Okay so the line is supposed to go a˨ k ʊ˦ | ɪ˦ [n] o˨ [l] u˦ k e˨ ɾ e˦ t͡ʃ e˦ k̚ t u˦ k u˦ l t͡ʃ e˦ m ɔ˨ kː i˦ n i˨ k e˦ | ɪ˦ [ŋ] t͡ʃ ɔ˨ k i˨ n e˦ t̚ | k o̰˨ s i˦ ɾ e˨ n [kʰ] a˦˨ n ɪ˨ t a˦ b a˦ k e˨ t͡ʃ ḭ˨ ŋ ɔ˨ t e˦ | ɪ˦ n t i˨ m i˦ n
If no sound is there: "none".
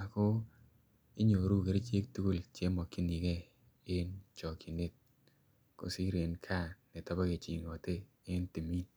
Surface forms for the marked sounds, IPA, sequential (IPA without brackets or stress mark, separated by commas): ɲ, ɾ, n, kʰ